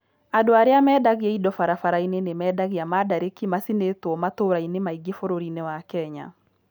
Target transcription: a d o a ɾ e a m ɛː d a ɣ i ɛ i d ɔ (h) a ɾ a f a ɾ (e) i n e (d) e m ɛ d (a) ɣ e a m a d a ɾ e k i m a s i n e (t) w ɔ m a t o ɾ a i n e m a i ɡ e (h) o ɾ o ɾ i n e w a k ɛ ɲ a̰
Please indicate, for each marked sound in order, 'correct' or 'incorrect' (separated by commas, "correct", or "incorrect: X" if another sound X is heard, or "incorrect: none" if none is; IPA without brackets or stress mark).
incorrect: f, incorrect: a, incorrect: n, correct, correct, incorrect: f